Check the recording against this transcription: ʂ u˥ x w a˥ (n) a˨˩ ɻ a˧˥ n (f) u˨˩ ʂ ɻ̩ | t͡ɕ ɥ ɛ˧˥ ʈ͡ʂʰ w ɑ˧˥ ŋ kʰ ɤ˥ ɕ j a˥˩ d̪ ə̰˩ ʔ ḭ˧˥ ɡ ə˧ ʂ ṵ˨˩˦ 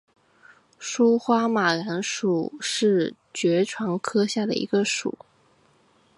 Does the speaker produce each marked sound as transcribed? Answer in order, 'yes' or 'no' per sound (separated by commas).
no, no